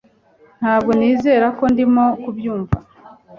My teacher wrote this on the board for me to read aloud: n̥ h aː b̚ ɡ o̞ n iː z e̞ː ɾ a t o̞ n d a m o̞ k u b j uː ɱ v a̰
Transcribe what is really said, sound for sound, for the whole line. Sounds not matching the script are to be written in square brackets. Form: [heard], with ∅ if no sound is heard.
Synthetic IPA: n̥ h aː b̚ ɡ o̞ n iː z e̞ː ɾ a [k] o̞ n d [i] m o̞ k u b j uː ɱ v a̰